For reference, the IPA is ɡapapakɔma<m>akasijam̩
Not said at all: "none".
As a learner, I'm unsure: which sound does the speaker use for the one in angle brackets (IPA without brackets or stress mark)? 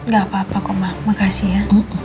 m